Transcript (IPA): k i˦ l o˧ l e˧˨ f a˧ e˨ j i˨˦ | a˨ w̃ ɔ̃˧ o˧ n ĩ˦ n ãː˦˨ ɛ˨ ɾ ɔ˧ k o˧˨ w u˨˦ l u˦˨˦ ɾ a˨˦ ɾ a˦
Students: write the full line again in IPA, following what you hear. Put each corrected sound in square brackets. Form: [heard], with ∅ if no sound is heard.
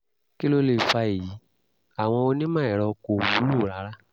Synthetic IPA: k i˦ l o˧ l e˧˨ f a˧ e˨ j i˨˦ | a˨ w̃ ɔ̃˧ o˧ n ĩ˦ [m] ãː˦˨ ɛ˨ ɾ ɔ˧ k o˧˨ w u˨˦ l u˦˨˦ ɾ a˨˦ ɾ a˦